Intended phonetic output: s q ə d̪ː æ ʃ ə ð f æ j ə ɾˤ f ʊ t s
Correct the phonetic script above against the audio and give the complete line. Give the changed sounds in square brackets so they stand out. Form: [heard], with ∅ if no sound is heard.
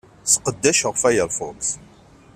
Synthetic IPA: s q ə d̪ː æ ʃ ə [ʁ] f æ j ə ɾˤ f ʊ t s